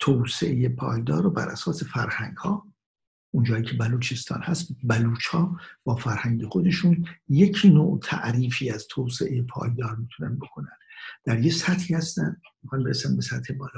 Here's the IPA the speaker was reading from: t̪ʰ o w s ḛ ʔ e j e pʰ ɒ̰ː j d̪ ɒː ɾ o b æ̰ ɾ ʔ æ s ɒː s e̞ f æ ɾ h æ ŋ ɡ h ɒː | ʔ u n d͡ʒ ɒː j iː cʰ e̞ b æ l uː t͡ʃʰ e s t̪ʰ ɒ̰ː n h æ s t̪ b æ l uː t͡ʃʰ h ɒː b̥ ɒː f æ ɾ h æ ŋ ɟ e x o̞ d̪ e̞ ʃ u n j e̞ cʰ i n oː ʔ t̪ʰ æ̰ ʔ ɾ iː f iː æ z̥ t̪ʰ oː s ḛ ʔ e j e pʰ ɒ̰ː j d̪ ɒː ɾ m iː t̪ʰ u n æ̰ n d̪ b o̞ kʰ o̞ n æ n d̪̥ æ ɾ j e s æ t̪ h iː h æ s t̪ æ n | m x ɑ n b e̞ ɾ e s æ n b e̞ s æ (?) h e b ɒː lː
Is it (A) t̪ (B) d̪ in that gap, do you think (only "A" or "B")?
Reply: A